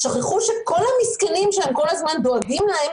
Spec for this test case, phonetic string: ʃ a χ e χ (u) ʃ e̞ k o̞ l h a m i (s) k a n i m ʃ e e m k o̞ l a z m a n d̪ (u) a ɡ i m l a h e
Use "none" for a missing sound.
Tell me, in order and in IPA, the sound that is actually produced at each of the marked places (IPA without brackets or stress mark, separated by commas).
u, s, o